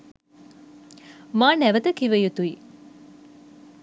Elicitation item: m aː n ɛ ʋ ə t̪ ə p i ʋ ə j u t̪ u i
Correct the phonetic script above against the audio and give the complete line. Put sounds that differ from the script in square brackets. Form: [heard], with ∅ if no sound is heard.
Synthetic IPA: m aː n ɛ ʋ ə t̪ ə [k] i ʋ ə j u t̪ u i